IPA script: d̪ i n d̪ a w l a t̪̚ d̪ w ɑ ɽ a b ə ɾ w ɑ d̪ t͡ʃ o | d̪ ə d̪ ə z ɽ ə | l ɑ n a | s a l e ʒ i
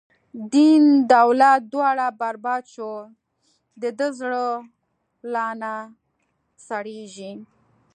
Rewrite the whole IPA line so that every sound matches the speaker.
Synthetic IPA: d̪ i n d̪ a w l a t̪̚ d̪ w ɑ ɽ a b a ɾ b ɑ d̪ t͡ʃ o | d̪ ə d̪ ə z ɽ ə | l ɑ n a | s a ɽ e ʒ i